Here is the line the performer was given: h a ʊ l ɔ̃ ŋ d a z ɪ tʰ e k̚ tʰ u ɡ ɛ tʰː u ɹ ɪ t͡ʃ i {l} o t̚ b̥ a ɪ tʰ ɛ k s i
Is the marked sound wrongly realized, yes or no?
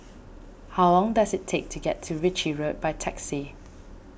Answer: yes